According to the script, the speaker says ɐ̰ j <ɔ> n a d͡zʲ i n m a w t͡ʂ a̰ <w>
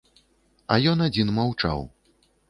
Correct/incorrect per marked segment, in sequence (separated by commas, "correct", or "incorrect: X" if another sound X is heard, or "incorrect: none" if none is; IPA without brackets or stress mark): correct, correct